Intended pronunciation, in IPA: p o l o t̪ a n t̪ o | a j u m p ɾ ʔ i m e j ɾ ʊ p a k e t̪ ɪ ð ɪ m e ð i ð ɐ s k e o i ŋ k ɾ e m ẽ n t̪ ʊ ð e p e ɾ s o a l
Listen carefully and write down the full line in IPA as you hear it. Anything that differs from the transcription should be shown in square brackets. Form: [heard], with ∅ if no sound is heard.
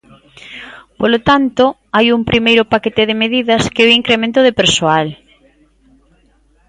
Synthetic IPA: p o l o t̪ a n t̪ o | a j u m p ɾ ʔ i m e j ɾ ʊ p a k e t̪ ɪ ð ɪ m e ð i ð ɐ s k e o i ŋ k ɾ e m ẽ n t̪ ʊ ð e p e ɾ s o a l